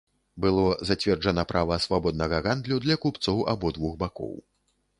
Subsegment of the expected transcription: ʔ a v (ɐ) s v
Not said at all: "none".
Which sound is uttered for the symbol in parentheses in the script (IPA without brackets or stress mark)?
ɐ